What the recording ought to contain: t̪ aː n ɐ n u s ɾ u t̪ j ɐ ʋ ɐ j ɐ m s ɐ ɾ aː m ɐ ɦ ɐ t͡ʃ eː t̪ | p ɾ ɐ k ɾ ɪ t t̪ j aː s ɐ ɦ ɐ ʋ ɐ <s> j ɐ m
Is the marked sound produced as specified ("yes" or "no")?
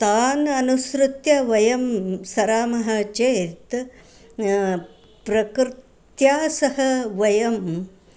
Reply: no